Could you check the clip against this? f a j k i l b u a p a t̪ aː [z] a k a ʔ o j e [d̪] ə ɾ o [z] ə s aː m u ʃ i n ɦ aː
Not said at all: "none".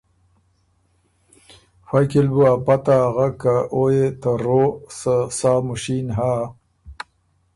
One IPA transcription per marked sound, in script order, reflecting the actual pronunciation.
ɣ, t̪, s

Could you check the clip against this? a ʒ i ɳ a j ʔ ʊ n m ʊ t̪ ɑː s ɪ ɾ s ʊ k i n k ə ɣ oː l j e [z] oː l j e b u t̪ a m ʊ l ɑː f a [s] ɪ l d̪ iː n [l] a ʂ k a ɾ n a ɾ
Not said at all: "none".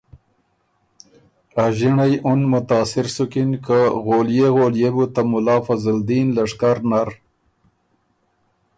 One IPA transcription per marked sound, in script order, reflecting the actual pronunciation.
ɣ, z, l

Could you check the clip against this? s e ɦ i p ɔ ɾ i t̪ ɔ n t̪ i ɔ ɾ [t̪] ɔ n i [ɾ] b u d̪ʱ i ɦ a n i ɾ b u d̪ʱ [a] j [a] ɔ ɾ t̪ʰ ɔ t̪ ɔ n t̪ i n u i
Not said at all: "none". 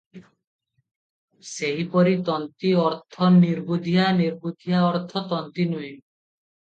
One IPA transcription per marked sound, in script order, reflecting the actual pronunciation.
t̪ʰ, ɾ, i, a

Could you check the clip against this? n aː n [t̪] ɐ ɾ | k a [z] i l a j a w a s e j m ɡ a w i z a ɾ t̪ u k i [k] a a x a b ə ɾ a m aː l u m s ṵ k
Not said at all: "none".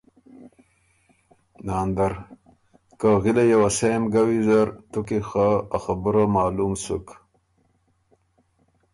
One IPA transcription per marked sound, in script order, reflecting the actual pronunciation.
d̪, ɣ, x

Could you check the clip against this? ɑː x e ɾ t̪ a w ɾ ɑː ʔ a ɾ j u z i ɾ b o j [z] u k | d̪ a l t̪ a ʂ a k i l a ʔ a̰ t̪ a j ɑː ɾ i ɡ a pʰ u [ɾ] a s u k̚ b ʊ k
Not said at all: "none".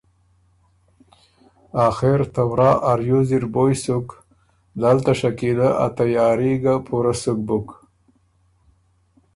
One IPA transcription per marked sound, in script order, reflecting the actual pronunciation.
s, ɾ

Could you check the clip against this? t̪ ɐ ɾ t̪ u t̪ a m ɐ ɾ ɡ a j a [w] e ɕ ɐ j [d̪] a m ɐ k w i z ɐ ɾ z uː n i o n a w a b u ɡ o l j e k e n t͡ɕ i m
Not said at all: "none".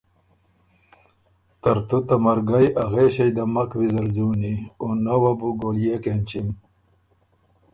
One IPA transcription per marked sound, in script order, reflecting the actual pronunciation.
ɣ, d̪

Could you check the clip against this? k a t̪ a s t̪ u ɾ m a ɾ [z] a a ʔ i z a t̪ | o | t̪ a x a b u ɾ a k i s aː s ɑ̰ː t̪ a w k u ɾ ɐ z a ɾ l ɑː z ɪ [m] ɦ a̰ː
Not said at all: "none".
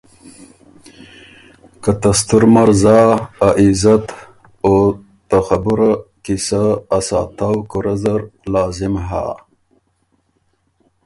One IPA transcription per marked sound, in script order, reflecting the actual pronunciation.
z, m

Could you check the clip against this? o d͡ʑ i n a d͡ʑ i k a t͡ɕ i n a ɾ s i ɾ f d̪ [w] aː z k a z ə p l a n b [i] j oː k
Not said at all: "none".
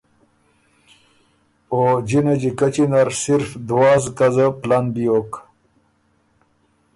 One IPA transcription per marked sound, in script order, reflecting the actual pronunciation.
w, i

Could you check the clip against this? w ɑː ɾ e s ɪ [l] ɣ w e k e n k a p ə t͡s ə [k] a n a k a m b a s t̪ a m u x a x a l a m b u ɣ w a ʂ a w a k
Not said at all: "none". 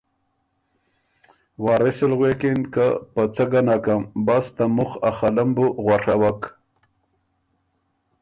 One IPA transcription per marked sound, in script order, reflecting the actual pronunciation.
l, ɡ

